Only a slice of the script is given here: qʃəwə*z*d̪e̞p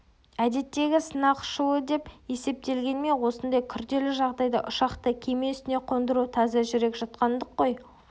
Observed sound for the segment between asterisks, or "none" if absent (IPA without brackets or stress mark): none